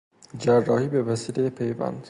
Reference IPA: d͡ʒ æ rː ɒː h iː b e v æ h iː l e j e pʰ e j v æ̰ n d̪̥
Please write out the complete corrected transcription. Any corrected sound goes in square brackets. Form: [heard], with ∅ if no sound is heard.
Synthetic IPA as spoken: d͡ʒ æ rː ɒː h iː b e v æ [s] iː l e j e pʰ e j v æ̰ n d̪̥